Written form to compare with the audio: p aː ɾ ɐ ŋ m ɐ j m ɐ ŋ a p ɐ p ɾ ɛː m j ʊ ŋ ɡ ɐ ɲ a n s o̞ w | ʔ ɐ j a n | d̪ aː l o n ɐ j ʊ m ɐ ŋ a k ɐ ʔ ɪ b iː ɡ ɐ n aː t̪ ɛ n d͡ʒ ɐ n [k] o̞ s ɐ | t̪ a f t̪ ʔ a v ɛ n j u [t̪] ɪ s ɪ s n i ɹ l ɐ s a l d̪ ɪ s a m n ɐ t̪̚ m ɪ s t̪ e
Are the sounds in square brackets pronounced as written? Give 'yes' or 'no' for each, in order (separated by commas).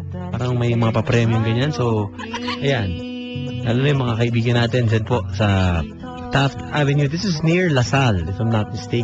no, no